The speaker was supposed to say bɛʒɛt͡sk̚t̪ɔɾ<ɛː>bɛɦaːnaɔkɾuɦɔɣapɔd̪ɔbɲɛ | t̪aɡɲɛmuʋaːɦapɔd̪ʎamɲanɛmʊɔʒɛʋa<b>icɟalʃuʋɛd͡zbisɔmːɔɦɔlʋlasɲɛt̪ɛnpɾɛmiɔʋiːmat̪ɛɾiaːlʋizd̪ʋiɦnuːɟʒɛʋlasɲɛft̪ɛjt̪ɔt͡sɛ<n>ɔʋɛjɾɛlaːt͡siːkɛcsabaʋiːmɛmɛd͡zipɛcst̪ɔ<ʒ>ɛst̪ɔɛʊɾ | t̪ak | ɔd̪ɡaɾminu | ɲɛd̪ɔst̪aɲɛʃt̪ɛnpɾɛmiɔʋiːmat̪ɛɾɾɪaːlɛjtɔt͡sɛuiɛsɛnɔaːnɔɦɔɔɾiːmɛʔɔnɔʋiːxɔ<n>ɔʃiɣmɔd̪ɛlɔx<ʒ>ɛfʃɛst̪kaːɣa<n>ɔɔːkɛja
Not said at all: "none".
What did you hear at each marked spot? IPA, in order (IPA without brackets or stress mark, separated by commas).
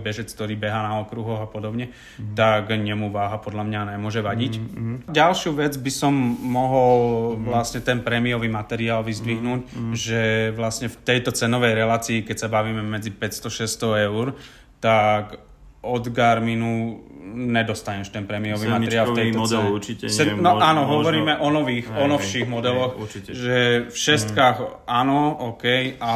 iː, ɟ, n, ʃ, n, ʒ, n